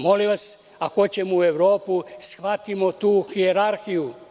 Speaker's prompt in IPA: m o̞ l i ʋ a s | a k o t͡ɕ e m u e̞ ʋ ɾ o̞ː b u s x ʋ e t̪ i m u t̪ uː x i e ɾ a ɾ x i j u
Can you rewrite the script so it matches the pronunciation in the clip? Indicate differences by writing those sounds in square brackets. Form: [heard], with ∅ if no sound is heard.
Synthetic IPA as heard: m o̞ l i ʋ a s | a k o t͡ɕ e m u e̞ ʋ ɾ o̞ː [p] u s x ʋ [a] t̪ i m [o] t̪ uː x i e ɾ a ɾ x i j u